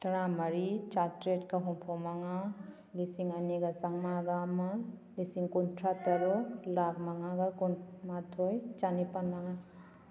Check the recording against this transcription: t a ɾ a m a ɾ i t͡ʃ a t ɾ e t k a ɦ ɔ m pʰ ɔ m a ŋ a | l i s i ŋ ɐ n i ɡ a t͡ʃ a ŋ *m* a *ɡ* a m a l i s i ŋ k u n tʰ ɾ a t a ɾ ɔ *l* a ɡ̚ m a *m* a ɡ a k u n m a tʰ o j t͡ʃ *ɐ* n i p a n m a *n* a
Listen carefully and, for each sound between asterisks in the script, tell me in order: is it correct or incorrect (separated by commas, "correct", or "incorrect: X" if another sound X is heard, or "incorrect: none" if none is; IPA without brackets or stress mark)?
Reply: correct, correct, correct, incorrect: ŋ, incorrect: a, incorrect: ŋ